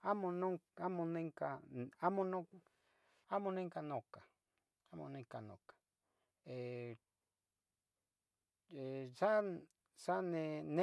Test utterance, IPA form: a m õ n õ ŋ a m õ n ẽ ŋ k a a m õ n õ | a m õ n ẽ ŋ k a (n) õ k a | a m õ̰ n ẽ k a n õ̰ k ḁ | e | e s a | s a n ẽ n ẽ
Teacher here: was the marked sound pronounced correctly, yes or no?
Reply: yes